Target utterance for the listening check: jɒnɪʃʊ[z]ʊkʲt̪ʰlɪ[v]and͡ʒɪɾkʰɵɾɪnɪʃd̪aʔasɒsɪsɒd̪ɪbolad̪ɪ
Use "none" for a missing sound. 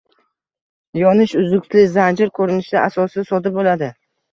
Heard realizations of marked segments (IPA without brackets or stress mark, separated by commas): z, z